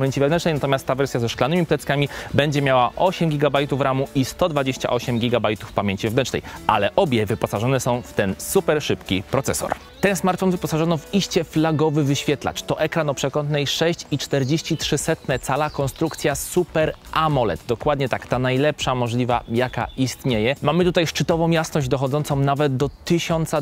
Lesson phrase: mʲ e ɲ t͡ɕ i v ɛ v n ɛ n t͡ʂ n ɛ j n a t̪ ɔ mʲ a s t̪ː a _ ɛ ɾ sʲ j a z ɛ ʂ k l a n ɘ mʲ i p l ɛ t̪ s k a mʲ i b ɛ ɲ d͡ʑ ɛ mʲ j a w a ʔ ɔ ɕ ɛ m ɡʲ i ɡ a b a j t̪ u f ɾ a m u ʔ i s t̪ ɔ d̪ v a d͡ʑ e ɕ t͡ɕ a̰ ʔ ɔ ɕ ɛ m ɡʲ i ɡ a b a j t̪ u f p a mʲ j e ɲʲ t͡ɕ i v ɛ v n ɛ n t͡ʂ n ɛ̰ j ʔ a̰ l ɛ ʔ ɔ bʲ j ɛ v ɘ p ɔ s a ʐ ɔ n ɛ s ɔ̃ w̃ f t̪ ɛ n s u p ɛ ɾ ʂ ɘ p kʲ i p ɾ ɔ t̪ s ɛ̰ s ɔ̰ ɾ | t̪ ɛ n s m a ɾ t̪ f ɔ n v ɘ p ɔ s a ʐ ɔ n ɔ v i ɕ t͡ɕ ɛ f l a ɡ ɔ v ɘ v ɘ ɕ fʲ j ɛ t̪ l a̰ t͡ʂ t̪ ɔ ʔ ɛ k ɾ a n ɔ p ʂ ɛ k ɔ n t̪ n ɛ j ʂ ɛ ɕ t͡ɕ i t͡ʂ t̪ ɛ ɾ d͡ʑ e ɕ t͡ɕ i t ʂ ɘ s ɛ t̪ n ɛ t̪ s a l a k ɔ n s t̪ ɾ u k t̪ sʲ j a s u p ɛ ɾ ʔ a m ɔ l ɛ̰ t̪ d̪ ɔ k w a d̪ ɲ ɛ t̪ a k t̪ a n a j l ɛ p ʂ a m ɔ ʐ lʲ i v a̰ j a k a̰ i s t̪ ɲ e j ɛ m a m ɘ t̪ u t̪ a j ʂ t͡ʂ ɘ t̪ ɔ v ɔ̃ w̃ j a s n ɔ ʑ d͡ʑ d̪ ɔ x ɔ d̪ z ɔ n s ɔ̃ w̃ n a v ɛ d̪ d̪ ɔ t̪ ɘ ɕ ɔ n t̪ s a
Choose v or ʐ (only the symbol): v